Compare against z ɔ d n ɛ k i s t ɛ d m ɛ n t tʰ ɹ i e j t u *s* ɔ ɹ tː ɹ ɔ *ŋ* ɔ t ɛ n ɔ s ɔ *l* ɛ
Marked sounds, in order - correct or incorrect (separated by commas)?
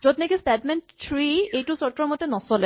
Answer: correct, incorrect, correct